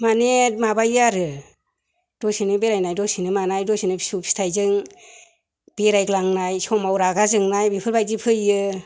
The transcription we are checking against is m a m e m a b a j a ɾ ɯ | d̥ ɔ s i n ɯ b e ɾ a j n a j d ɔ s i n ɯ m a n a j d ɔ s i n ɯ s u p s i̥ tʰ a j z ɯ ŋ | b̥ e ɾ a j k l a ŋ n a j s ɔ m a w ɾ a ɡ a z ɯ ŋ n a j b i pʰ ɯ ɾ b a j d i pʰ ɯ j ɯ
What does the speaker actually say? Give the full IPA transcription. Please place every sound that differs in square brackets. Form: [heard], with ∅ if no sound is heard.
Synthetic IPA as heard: m a [n] e m a b a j a ɾ ɯ | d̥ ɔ s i n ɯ b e ɾ a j n a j d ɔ s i n ɯ m a n a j d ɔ s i n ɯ s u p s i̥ tʰ a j z ɯ ŋ | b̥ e ɾ a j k l a ŋ n a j s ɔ m a w ɾ a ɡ a z ɯ ŋ n a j b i pʰ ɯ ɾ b a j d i pʰ ɯ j ɯ